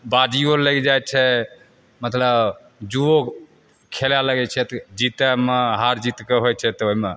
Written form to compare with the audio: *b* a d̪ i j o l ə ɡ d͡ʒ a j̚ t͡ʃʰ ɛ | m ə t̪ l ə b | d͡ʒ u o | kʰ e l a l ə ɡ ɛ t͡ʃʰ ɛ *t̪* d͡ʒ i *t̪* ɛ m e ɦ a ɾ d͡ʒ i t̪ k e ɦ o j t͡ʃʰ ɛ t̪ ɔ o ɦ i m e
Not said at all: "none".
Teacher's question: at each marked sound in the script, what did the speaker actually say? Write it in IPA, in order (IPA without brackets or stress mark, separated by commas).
b, t̪, t̪